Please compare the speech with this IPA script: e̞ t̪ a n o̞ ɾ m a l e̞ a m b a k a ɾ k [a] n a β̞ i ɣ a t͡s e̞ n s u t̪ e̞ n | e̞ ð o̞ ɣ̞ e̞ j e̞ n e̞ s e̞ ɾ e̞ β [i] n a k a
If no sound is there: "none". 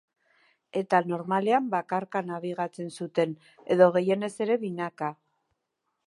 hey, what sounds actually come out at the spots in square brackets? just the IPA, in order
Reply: a, i

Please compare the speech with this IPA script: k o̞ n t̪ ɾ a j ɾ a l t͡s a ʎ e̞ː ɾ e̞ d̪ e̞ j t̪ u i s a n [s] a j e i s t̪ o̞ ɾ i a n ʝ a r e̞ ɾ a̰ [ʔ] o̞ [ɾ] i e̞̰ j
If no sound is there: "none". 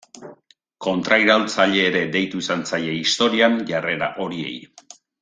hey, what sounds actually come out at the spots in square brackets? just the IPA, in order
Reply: t͡s, ʔ, ɾ

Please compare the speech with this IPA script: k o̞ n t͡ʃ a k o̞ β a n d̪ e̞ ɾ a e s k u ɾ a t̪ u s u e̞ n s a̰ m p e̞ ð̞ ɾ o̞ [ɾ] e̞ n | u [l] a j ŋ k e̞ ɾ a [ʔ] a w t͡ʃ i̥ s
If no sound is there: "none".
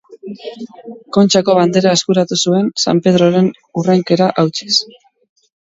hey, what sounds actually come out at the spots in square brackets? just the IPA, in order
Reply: ɾ, r, ʔ

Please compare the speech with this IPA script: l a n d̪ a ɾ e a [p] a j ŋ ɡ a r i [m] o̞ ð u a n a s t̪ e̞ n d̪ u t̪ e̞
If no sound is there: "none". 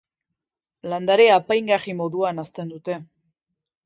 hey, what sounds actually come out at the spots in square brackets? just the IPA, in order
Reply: p, m

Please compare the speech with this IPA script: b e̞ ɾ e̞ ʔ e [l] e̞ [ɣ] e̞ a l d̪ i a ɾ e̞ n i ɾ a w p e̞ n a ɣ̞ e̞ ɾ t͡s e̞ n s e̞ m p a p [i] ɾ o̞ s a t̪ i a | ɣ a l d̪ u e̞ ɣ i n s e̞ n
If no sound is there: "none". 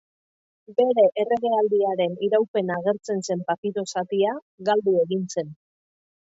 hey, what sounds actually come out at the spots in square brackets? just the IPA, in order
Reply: r, ɣ, i

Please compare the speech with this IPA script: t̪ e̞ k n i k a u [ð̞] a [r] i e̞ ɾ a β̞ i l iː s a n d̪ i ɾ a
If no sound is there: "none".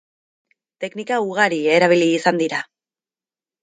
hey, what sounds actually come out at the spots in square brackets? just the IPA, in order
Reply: ɣ̞, ɾ

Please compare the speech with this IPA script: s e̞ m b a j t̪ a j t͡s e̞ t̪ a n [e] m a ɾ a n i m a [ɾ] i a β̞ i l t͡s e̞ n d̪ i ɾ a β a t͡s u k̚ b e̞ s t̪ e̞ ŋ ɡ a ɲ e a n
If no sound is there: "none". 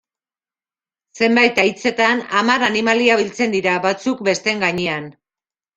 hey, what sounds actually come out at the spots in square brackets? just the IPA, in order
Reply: a, l

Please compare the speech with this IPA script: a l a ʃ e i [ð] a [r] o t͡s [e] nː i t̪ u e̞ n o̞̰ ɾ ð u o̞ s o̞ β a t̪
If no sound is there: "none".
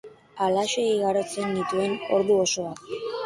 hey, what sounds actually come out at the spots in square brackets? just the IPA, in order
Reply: ɣ, ɾ, e

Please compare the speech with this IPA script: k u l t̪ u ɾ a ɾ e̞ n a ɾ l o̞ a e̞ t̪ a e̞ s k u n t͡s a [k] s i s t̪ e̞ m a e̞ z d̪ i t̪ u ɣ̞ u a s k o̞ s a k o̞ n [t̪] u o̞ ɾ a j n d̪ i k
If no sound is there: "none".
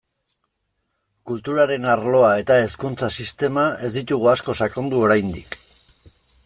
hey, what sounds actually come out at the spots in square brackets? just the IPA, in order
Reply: none, d̪

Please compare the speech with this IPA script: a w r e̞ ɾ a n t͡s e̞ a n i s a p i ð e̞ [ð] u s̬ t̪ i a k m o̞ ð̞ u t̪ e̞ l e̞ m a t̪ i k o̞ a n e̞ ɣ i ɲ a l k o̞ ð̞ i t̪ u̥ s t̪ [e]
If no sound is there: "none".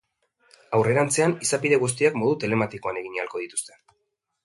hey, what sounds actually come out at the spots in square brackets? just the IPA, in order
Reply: ɣ, e

